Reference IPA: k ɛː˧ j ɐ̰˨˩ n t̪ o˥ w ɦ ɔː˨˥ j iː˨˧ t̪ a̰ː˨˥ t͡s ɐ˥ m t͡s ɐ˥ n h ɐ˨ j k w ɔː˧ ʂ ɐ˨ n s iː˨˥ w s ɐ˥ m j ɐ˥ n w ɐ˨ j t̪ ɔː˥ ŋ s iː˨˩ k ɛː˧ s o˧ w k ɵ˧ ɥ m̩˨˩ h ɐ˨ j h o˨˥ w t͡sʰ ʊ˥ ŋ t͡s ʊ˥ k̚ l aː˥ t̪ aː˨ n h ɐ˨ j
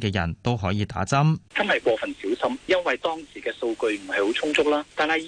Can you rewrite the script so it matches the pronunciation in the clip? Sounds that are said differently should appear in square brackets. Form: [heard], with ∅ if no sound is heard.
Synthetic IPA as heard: k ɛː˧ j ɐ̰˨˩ n t̪ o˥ w ɦ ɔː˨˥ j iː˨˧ t̪ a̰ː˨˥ t͡s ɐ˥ m t͡s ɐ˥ n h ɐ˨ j k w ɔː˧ [f] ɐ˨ n s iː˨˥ w s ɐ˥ m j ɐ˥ n w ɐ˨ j t̪ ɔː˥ ŋ s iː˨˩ k ɛː˧ s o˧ w k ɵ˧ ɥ m̩˨˩ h ɐ˨ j h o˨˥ w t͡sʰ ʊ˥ ŋ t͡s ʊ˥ k̚ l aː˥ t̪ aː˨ n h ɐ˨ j